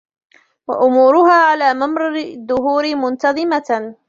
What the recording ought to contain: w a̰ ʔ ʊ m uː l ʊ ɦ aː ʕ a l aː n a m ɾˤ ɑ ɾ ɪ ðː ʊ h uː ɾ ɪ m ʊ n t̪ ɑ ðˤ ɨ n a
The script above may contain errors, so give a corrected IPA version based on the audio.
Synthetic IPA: w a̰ ʔ ʊ m uː ɾ ʊ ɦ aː ʕ a l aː m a m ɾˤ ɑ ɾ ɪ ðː ʊ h uː ɾ ɪ m ʊ n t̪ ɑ ðˤ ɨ m a